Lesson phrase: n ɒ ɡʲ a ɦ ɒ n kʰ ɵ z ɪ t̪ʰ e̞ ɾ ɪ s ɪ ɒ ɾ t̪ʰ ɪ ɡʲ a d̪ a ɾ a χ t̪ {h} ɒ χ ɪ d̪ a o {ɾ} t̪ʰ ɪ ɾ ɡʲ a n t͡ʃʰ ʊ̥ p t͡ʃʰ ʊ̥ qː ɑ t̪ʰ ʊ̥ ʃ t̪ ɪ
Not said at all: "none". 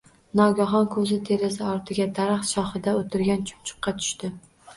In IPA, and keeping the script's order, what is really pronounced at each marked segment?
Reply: ʃ, none

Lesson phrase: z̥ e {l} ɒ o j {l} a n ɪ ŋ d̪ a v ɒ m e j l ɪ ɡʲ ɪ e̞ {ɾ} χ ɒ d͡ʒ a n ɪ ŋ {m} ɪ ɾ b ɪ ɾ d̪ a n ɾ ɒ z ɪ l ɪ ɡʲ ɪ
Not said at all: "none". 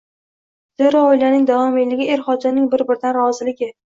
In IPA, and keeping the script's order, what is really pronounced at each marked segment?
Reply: ɾ, l, ɾ, b

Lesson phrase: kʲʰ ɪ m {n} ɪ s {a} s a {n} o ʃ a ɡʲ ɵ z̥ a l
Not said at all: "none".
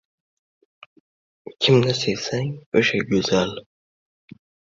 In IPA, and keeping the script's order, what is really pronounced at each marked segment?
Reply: n, e, ŋ

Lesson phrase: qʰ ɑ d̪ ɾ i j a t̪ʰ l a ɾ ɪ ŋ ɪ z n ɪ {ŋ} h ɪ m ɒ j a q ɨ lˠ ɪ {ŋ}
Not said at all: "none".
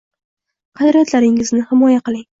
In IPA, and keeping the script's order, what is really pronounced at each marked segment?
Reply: none, ŋ

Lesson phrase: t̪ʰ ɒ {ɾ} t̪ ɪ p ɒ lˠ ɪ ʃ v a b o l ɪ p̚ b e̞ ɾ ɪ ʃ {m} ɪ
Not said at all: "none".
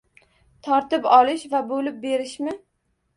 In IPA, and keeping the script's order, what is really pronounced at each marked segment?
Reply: ɾ, m

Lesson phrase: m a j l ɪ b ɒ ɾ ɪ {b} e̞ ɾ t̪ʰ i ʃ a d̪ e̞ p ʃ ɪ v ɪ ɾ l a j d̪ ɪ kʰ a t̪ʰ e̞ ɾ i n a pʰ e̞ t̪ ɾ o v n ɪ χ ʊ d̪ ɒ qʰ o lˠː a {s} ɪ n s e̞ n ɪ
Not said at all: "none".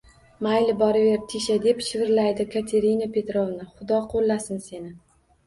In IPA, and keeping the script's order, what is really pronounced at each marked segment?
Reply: v, s

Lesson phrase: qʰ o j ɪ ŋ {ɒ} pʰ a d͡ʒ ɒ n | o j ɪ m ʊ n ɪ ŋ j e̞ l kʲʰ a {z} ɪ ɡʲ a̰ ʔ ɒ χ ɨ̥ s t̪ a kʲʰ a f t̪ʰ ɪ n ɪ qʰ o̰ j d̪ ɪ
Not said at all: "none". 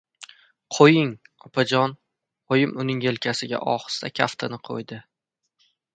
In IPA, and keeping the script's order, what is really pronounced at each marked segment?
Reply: ɒ, s

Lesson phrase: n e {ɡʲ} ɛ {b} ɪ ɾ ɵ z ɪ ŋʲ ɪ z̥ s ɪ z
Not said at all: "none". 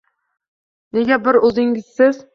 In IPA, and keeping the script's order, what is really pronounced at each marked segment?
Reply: ɡʲ, b

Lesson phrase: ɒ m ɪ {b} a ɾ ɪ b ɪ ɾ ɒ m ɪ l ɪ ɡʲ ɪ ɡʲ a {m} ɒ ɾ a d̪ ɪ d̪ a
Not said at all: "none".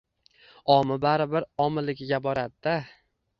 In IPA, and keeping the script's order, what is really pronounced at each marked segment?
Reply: b, b

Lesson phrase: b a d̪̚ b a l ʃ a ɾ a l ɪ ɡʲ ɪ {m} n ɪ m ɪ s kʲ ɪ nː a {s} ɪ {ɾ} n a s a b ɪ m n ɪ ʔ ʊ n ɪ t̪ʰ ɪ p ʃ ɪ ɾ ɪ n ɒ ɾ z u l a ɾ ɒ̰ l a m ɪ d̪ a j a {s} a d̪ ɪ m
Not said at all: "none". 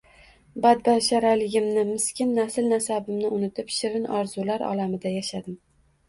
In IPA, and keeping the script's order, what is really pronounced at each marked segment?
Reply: m, s, l, ʃ

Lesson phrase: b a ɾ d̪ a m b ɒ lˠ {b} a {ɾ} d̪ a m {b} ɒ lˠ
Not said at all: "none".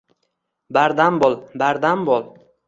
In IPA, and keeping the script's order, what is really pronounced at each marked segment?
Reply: b, ɾ, b

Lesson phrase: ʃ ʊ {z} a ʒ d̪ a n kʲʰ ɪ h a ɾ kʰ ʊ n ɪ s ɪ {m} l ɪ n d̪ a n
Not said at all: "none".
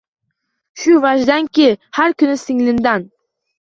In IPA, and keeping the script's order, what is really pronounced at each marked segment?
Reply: v, ŋ

